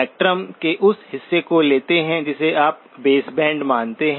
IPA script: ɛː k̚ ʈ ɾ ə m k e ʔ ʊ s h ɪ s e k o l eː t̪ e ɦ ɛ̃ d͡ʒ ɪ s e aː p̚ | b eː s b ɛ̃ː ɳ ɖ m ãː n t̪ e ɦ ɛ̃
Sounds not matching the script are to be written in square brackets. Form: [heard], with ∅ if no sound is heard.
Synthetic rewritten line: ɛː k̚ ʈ ɾ ə m k e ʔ ʊ s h ɪ [sː] e k o l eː t̪ e ɦ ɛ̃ d͡ʒ ɪ s e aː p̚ | b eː s b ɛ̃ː ɳ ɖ m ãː n t̪ e ɦ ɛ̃